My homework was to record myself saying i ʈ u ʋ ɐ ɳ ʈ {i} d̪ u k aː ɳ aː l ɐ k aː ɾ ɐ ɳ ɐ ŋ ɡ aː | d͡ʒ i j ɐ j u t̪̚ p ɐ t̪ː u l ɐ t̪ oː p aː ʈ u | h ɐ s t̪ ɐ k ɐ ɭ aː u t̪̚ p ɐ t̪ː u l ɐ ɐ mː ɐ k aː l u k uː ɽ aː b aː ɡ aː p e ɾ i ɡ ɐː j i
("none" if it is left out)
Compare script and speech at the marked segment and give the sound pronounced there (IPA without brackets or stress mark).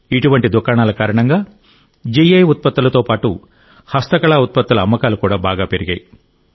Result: i